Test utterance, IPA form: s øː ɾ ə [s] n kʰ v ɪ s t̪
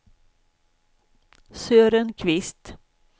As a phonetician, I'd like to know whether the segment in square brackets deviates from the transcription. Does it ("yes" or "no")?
yes